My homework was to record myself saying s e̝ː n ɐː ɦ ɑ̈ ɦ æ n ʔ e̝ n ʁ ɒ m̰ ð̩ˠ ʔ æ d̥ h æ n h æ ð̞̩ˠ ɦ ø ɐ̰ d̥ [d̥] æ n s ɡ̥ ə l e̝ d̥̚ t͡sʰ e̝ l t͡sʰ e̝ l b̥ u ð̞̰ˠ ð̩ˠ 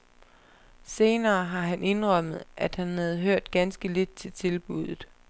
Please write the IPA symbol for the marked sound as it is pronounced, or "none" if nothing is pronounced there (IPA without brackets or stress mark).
ɡ̥